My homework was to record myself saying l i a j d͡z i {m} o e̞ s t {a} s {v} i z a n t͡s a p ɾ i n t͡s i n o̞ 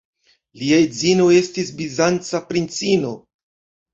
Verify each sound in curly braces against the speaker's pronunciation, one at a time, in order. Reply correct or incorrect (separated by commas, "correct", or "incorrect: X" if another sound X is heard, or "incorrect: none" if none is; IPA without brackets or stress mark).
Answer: incorrect: n, incorrect: i, incorrect: b